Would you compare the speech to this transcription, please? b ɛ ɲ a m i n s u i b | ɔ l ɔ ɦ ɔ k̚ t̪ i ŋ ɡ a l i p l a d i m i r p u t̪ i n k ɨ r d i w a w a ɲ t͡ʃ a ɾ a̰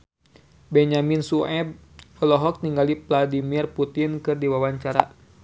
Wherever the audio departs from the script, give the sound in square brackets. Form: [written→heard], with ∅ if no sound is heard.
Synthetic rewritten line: b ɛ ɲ a m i n s u [i→ɛ] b | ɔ l ɔ ɦ ɔ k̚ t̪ i ŋ ɡ a l i p l a d i m i r p u t̪ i n k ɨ r d i w a w a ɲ t͡ʃ a ɾ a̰